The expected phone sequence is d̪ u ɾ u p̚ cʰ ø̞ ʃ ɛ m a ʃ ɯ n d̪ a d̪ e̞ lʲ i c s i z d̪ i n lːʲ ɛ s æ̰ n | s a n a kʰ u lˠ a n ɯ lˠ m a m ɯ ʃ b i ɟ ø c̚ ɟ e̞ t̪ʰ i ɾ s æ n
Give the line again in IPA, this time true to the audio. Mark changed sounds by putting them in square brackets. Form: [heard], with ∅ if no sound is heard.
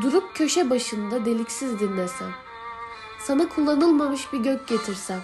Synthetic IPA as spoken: d̪ u ɾ u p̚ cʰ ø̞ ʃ ɛ [b] a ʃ ɯ n d̪ a d̪ e̞ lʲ i c s i z d̪ i n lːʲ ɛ s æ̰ n | s a n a kʰ u [lˠː] a n ɯ lˠ m a m ɯ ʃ b i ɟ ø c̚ ɟ e̞ t̪ʰ i ɾ s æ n